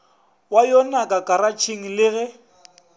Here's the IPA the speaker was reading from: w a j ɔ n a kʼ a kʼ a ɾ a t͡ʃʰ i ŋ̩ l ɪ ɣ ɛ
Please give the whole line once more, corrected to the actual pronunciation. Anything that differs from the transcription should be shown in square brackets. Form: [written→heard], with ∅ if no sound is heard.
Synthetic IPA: w a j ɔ n a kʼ a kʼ a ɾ a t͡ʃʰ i ŋ̩ l ɪ ɣ ɛ